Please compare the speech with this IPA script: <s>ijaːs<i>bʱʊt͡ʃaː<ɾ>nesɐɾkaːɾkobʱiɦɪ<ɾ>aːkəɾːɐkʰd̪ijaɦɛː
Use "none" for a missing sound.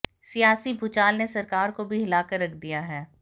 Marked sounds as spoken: s, i, l, l

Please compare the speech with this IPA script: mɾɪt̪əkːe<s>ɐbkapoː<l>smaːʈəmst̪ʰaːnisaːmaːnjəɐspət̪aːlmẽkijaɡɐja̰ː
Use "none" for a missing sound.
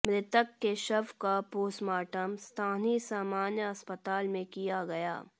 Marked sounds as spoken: ʃ, none

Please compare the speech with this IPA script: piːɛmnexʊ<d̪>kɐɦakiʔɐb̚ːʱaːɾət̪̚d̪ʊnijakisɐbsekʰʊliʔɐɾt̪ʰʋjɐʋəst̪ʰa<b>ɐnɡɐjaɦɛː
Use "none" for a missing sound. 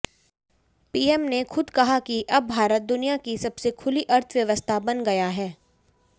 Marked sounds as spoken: d̪, b

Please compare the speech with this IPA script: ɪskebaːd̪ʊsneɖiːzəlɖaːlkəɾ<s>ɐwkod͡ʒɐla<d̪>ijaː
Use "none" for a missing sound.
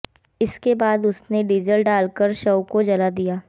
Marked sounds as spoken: ʃ, d̪

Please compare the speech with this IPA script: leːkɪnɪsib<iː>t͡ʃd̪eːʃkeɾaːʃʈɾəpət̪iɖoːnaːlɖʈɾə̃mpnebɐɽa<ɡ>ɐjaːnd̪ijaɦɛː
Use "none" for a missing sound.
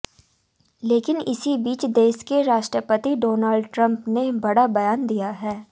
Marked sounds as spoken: iː, b

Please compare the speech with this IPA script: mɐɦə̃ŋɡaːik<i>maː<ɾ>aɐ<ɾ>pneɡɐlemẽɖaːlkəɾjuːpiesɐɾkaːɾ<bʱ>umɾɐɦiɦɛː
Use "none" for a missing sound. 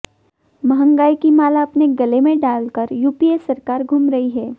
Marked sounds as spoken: i, l, none, ɡʱ

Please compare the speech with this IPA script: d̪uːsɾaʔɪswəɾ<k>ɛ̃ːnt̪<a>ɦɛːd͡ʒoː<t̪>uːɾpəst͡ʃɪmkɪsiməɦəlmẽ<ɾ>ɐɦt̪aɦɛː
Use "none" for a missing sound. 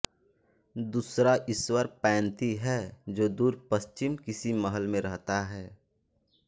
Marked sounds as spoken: p, i, d̪, ɾ

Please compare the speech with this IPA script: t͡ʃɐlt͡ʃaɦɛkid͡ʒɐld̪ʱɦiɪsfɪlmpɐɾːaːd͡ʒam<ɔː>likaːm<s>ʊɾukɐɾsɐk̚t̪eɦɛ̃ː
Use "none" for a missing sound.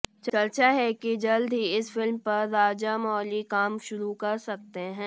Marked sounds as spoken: ɔː, ʃ

